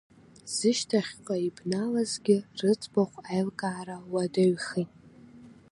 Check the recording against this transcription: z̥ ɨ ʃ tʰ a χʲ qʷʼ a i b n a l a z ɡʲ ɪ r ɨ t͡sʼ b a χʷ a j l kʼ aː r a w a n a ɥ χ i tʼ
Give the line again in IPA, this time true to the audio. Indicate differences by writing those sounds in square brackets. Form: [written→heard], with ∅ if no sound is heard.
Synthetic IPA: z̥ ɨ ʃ tʰ a χʲ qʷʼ a i b n a l a z ɡʲ ɪ r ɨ t͡sʼ b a χʷ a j l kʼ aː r a w a [n→d] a ɥ χ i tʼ